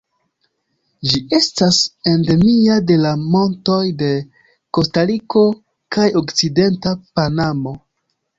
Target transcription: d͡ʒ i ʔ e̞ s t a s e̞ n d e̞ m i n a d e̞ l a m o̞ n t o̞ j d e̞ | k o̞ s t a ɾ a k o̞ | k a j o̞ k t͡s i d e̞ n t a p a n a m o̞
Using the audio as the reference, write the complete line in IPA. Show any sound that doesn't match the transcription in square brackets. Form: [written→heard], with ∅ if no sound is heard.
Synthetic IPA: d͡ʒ i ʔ e̞ s t a s e̞ n d e̞ m i [n→∅] a d e̞ l a m o̞ n t o̞ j d e̞ | k o̞ s t a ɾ [a→i] k o̞ | k a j o̞ k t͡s i d e̞ n t a p a n a m o̞